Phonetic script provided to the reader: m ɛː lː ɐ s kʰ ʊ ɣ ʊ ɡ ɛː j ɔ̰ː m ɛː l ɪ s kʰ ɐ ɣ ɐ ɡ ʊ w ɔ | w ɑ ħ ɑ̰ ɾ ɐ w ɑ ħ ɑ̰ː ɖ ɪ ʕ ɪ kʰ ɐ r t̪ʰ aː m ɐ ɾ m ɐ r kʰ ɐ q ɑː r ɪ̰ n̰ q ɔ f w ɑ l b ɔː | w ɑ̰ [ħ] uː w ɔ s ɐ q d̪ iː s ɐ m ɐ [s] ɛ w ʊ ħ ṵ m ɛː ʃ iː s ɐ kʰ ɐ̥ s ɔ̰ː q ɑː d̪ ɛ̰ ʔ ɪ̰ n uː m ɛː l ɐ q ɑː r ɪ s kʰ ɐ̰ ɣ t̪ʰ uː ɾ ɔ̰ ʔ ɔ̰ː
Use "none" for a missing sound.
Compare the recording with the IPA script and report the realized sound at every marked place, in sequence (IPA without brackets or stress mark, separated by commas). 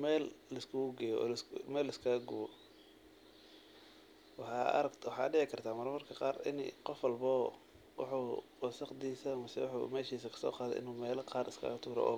ħ, s